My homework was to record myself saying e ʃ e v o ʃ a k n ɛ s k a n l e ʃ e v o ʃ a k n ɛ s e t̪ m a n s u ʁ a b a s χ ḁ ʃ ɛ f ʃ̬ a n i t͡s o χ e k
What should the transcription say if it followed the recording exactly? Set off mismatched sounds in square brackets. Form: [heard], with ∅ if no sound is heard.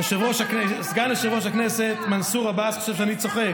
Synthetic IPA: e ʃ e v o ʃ a k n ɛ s [ɡ] a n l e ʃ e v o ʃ a k n ɛ s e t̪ m a n s u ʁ a b a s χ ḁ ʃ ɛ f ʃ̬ a n i t͡s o χ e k

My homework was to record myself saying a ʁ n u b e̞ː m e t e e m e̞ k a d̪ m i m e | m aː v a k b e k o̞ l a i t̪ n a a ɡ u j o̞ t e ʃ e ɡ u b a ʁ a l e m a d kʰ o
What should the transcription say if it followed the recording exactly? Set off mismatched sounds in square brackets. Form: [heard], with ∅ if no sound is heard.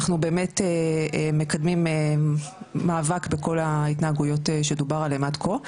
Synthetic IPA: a [χ] n u b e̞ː m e t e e m e̞ k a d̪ m i m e | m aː v a k b e k o̞ l a i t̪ n a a ɡ u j o̞ t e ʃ e [d] u b a ʁ a l e m a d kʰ o

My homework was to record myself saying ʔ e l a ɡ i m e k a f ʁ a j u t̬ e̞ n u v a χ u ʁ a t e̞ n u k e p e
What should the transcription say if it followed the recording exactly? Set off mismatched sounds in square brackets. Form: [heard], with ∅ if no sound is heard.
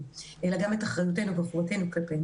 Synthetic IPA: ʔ e l a ɡ [a] m e [t] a [χ] ʁ a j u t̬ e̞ n u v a χ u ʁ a t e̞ n u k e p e

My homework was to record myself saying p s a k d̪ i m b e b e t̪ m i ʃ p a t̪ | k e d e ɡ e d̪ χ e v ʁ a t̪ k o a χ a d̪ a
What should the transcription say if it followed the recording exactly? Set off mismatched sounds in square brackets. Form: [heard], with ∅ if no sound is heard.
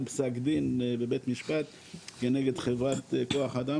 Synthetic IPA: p s a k d̪ i [n] b e b e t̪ m i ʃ p a t̪ | k e [n] e ɡ e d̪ χ e v ʁ a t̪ k o a χ a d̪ a

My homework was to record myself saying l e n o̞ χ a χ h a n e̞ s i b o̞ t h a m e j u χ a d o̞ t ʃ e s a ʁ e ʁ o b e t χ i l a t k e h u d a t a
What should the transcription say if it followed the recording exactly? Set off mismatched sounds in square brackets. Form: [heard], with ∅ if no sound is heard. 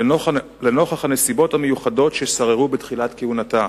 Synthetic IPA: l e n o̞ χ a χ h a n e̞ s i b o̞ t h a m e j u χ a d o̞ t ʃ e s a ʁ e ʁ [u] b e t χ i l a t k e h u [n] a t a

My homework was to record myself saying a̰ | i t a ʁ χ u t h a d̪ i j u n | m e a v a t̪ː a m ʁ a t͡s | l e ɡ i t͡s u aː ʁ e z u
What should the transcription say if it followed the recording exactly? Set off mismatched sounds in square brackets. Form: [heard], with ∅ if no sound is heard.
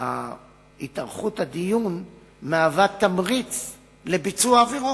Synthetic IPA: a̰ | i t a ʁ χ u t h a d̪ i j u n | m e a v a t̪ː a m ʁ [i] t͡s | l e [b] i t͡s u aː [v] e [ʁ] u

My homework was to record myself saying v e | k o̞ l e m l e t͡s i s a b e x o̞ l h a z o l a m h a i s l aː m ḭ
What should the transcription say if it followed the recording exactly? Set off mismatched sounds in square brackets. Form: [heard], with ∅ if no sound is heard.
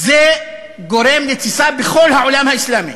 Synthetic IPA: [z] e | [ɡ] o̞ [ɾ] e m l e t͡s i s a b e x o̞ l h a [ʕ] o l a m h a i s l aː m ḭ

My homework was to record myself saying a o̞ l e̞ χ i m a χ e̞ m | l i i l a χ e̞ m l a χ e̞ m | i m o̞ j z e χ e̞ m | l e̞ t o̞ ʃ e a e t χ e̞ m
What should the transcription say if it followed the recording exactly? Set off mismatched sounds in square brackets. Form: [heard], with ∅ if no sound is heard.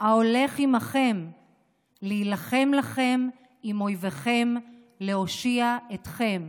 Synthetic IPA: a o̞ l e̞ χ i m a χ e̞ m | l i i l a χ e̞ m l a χ e̞ m | i m o̞ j [v] e χ e̞ m | l e̞ [∅] o̞ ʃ [i] a e t χ e̞ m

